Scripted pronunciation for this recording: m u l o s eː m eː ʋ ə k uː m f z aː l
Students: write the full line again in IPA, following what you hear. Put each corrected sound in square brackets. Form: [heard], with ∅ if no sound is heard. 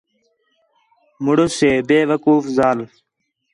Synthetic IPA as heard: m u [ɽ] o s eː [b] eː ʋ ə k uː [∅] f z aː l

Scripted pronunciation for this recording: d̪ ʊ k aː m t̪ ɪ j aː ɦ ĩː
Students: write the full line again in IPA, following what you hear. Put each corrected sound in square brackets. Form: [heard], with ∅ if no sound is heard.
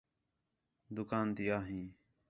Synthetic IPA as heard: d̪ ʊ k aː [n] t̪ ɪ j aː ɦ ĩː

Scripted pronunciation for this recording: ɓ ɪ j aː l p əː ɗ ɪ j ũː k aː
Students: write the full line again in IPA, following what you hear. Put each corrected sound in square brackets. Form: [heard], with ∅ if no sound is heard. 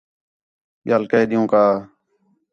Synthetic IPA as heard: ɓ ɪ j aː l [k] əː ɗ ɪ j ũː k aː

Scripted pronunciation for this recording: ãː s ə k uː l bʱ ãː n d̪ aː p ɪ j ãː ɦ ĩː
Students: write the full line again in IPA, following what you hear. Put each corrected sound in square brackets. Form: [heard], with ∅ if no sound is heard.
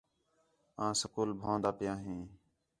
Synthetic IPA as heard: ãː s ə k uː l bʱ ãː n d̪ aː p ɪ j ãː ɦ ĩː

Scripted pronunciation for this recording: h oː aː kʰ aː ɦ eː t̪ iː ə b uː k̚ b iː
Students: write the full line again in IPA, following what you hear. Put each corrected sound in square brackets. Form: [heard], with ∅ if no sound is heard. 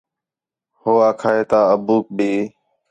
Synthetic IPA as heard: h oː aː kʰ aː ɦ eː t̪ [aː] ə b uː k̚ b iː

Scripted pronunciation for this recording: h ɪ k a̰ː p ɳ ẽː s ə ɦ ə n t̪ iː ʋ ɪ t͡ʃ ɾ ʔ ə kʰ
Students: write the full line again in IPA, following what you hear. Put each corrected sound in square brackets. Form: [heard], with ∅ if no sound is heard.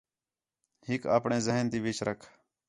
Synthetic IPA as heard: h ɪ k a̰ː p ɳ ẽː [z] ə ɦ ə n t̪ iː ʋ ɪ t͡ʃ ɾ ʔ ə kʰ

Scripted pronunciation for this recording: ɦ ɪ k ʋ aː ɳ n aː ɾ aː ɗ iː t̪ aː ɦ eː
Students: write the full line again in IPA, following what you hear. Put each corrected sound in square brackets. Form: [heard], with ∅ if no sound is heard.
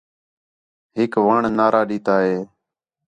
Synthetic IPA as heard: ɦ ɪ k ʋ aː ɳ n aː ɾ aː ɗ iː t̪ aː ɦ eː

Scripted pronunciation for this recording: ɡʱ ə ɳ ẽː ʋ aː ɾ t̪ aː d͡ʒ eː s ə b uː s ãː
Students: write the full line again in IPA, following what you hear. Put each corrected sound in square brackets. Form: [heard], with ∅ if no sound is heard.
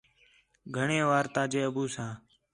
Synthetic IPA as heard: ɡʱ ə ɳ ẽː ʋ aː ɾ t̪ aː d͡ʒ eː [∅] ə b uː s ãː

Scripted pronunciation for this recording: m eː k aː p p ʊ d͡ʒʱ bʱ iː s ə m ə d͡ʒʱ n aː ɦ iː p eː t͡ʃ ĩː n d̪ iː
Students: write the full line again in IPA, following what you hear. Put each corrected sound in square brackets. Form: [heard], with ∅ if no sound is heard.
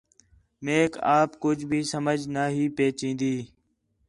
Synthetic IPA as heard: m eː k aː p [k] ʊ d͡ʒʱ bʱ iː s ə m ə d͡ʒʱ n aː ɦ iː p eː t͡ʃ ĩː n d̪ iː

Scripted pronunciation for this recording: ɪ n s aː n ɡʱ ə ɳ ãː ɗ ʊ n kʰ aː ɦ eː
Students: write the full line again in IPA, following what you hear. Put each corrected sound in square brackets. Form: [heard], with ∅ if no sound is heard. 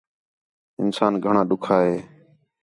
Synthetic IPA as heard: ɪ n s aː n ɡʱ ə ɳ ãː ɗ ʊ [∅] kʰ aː ɦ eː

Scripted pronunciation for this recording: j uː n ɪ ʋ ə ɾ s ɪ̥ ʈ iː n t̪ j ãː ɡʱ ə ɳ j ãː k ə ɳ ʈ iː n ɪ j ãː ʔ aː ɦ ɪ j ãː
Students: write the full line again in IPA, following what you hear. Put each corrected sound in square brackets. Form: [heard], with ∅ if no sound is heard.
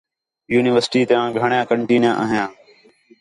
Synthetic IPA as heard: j uː n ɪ ʋ ə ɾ s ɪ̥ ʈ iː [∅] t̪ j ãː ɡʱ ə ɳ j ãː k ə ɳ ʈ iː n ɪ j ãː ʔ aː ɦ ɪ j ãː

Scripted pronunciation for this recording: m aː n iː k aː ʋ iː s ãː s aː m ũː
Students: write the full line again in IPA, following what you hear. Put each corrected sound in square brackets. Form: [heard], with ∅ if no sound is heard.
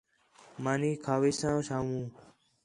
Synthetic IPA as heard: m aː n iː [kʰ] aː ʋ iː s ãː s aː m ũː

